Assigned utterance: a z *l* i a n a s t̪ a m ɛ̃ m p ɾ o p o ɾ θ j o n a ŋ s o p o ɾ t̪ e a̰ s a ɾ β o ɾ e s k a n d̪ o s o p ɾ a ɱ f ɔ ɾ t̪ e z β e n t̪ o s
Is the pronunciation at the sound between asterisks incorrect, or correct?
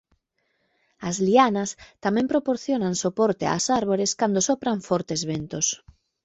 correct